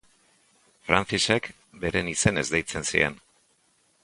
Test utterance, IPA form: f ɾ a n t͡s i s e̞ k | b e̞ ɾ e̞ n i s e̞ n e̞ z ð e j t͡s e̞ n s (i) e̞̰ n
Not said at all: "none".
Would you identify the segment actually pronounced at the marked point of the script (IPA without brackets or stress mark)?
i